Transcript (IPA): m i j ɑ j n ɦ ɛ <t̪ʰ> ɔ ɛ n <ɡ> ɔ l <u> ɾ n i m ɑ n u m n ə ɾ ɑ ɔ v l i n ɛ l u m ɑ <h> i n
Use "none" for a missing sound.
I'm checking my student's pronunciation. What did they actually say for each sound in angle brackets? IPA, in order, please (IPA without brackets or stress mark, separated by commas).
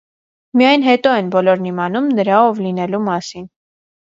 t̪, b, ɔ, s